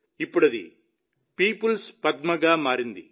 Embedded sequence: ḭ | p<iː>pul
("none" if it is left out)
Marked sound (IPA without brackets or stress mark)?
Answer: iː